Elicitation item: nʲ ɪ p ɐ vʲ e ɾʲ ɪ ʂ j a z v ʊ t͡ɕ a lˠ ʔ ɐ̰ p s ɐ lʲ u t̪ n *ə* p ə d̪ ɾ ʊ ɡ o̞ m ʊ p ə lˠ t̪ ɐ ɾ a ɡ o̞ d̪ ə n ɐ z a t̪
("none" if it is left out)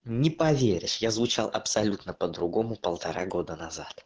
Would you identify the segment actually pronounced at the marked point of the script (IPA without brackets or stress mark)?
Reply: ə